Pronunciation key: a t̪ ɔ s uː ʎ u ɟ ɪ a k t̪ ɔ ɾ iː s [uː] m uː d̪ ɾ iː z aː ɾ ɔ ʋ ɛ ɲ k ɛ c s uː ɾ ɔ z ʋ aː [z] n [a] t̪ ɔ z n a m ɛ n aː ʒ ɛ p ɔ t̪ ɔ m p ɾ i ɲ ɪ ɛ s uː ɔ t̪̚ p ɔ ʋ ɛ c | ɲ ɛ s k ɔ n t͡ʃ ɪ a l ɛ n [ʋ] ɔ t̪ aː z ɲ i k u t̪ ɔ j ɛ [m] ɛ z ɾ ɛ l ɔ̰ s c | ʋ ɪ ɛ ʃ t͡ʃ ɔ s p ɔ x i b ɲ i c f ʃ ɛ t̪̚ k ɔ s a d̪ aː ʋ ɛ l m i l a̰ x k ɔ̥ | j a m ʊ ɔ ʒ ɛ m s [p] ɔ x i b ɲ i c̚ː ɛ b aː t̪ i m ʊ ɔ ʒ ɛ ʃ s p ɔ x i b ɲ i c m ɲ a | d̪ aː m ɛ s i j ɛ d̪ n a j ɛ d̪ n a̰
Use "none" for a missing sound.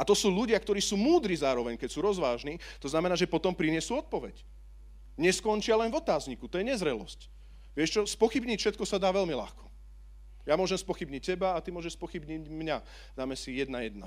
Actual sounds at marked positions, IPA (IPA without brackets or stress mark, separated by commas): uː, ʒ, i, v, ɲ, p